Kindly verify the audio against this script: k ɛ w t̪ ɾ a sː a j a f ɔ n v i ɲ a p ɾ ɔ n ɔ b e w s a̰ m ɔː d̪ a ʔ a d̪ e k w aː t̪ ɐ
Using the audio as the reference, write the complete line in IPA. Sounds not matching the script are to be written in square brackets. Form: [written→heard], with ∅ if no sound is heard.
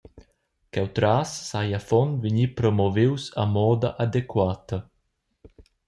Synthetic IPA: k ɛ w t̪ ɾ a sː a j a f ɔ n v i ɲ [a→i] p ɾ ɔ [n→m] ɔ [b→v] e w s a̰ m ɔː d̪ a ʔ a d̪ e k w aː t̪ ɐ